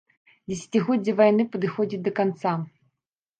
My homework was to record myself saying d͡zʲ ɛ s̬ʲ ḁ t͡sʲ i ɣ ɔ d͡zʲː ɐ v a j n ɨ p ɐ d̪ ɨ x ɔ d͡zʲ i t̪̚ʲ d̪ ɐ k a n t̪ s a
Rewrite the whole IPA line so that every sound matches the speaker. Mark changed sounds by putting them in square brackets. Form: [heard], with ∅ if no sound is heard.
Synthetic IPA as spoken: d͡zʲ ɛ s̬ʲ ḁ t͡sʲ i ɣ ɔ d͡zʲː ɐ v a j n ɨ p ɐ d̪ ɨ x ɔ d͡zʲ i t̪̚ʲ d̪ ɐ k a n t̪ s a